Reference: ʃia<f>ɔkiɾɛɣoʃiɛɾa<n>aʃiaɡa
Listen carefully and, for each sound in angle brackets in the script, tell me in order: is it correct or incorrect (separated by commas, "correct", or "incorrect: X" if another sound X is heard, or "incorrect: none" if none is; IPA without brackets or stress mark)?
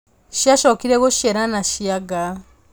incorrect: ʃ, correct